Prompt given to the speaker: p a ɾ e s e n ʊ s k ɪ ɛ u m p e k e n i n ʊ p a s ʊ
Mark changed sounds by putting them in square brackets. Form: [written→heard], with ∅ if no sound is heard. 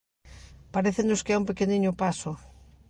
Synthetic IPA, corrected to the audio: p a ɾ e [s→θ] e n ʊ s k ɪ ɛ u m p e k e n i [n→ɲ] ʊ p a s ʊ